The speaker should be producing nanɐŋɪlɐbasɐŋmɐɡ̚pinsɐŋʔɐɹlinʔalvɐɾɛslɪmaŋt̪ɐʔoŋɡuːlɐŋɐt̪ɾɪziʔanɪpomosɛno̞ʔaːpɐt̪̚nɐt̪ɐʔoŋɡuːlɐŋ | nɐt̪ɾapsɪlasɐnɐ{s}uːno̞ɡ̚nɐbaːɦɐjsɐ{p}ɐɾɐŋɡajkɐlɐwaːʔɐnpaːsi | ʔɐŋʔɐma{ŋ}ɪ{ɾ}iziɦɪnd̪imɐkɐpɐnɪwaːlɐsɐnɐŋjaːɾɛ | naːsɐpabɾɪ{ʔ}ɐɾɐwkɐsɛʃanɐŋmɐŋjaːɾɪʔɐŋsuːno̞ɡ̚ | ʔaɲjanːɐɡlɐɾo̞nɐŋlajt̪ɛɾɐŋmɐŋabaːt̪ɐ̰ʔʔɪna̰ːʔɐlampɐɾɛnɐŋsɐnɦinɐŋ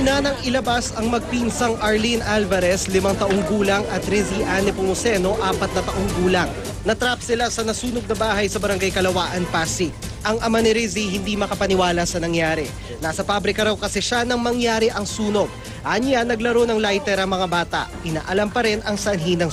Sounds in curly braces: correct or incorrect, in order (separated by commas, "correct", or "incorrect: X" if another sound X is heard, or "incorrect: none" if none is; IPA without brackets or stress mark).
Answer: correct, incorrect: b, incorrect: n, correct, incorrect: k